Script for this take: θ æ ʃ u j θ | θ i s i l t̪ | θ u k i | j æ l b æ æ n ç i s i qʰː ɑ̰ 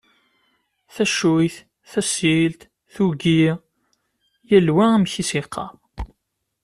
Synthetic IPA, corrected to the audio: θ æ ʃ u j θ | θ æ s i l t̪ | θ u ɡ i | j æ l w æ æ m ç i s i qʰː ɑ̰